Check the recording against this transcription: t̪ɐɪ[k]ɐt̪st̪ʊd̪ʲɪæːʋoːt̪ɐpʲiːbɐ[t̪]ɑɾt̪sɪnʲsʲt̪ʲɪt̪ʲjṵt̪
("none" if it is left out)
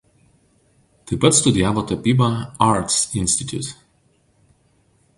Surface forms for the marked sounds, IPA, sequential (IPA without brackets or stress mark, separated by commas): p, none